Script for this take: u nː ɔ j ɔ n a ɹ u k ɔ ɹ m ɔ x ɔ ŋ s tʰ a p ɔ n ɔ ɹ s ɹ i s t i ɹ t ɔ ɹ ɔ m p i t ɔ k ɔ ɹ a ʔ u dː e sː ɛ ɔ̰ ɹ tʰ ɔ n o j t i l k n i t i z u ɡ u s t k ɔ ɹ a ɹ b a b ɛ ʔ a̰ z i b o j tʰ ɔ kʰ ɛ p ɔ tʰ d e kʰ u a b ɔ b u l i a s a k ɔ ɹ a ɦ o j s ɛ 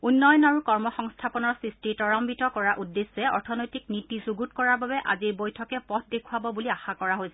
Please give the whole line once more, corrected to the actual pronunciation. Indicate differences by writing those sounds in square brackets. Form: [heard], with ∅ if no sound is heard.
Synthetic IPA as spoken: u nː ɔ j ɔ n a ɹ u k ɔ ɹ m ɔ x ɔ ŋ s tʰ a p ɔ n ɔ ɹ s ɹ i s t i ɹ t ɔ ɹ ɔ m [b] i t ɔ k ɔ ɹ a ʔ u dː e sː ɛ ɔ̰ ɹ tʰ ɔ n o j t i [∅] k n i t i z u ɡ u [∅] t k ɔ ɹ a ɹ b a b ɛ ʔ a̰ z i b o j tʰ ɔ [k] ɛ p ɔ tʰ d e kʰ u a b ɔ b u l i a [x] a k ɔ ɹ a ɦ o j s ɛ

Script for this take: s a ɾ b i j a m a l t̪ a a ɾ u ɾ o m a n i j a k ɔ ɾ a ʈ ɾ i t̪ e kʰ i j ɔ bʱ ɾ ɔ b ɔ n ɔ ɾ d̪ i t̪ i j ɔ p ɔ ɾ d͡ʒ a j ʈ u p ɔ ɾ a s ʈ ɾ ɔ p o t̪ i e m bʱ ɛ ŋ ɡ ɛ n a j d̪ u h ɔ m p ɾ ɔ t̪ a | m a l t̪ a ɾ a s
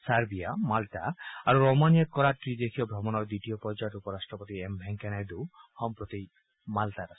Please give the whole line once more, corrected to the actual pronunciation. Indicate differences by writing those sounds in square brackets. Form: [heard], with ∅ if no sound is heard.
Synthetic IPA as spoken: s a ɾ b i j a m a l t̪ a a ɾ u ɾ o m a n i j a k ɔ ɾ a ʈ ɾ i [d̪] e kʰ i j ɔ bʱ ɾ ɔ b ɔ n ɔ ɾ d̪ i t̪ i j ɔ p ɔ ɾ d͡ʒ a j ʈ u p ɔ ɾ a s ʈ ɾ ɔ p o t̪ i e m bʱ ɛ ŋ [k] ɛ n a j d̪ u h ɔ m p ɾ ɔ t̪ [i] | m a l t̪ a ɾ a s

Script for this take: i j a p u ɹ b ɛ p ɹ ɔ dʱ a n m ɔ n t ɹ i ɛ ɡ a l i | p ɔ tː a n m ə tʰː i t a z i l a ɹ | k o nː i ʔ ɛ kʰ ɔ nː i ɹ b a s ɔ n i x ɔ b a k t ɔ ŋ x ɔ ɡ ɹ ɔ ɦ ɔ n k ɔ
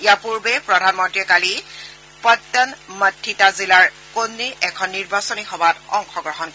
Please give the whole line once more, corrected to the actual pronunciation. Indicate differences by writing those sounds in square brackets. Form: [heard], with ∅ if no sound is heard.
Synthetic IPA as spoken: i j a p u ɹ b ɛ p ɹ ɔ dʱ a n m ɔ n t ɹ i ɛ [k] a l i | p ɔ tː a n m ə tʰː i t a z i l a ɹ | k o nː i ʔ ɛ kʰ ɔ nː i ɹ b a s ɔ n i x ɔ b a [∅] t ɔ ŋ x ɔ ɡ ɹ ɔ ɦ ɔ n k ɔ

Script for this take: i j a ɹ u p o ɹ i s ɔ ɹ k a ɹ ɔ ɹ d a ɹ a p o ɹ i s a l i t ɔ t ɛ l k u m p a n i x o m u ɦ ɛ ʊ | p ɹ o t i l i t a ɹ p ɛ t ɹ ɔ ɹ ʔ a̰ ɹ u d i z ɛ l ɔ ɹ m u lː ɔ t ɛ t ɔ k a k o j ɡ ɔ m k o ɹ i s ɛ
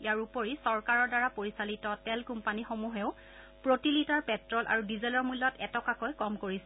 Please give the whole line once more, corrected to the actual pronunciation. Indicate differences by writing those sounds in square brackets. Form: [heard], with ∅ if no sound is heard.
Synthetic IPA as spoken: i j a ɹ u p o ɹ i s ɔ ɹ k a ɹ ɔ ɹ d a ɹ a p o ɹ i s a l i t ɔ t ɛ l k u m p a n i x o m u ɦ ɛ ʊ | p ɹ o t i l i t a ɹ p ɛ t ɹ ɔ [l] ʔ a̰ ɹ u d i z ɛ l ɔ ɹ m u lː ɔ t ɛ t ɔ k a k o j [k] ɔ m k o ɹ i s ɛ

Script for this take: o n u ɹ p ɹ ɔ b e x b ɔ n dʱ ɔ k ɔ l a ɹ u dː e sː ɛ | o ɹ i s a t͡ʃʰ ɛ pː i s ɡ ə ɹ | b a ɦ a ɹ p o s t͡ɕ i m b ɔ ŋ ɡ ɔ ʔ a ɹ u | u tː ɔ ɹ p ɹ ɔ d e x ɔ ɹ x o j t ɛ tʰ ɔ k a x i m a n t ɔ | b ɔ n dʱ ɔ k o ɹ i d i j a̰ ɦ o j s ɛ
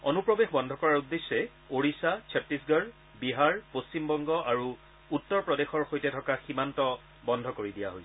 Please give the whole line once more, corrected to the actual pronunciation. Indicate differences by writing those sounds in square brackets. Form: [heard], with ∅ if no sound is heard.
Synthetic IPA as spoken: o n u [∅] p ɹ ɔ b e x b ɔ n dʱ ɔ k ɔ [ɹ] a ɹ u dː e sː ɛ | o ɹ i s a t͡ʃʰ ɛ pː i s ɡ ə ɹ | b [i] ɦ a ɹ p o s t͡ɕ i m b ɔ ŋ ɡ ɔ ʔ a ɹ u | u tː ɔ ɹ p ɹ ɔ d e x ɔ ɹ x o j t ɛ tʰ ɔ k a x i m a n t ɔ | b ɔ n dʱ ɔ k o ɹ i d i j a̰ ɦ o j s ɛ

